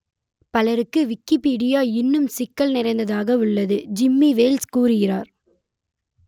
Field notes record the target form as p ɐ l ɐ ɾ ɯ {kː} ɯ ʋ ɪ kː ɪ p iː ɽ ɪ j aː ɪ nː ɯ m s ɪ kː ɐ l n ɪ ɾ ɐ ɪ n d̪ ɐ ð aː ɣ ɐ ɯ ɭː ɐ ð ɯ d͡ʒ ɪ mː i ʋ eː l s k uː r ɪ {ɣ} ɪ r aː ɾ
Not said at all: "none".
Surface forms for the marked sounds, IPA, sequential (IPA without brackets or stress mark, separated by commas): kː, ɣ